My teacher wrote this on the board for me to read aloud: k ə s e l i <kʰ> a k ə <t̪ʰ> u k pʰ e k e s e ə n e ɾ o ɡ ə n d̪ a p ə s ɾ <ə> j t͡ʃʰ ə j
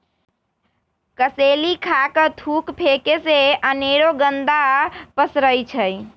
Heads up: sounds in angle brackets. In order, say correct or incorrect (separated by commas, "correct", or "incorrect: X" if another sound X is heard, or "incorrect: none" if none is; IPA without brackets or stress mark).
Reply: correct, correct, correct